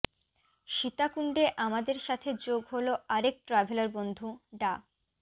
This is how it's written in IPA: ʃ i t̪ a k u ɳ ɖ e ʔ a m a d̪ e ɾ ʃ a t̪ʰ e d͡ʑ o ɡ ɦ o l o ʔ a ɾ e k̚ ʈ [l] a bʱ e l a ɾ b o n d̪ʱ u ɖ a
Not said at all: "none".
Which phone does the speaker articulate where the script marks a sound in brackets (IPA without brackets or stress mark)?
ɾ